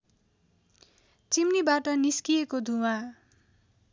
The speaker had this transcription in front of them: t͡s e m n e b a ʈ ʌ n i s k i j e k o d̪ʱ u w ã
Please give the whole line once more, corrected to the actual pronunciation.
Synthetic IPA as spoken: t͡s i m n i b a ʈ ʌ n i s k i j e k o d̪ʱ u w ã